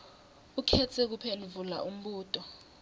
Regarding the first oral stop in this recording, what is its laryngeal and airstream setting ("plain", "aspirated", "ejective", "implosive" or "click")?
aspirated